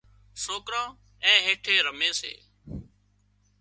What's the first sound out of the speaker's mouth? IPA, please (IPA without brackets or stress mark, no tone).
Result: s